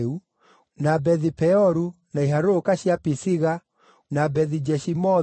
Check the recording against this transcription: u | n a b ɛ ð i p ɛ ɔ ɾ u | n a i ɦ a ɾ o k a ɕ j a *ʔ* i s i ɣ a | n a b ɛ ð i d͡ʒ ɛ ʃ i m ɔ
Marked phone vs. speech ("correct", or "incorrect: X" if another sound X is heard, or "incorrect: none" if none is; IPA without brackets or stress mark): incorrect: p